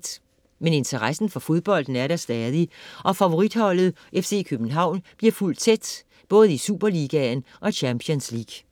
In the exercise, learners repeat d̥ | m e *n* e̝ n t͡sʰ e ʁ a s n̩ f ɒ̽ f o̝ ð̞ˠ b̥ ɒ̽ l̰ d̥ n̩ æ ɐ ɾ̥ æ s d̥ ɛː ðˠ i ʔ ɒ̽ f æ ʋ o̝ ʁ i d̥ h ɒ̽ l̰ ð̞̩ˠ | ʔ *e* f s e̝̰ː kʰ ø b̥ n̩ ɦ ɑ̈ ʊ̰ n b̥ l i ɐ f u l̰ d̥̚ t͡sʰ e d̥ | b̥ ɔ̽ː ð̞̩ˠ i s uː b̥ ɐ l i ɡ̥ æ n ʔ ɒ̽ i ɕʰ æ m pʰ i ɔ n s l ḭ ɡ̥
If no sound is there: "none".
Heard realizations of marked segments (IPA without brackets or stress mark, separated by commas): n, e